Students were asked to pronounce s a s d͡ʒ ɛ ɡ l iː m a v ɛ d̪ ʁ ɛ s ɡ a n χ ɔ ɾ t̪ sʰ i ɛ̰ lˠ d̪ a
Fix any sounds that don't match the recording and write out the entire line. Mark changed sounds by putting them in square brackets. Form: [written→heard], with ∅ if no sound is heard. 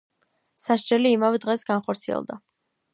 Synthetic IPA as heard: s a [s→ʃ] d͡ʒ ɛ [ɡ→∅] l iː m a v ɛ d̪ ʁ ɛ s ɡ a n χ ɔ ɾ t̪ sʰ i ɛ̰ lˠ d̪ a